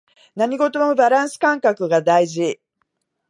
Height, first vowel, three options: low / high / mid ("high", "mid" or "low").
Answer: low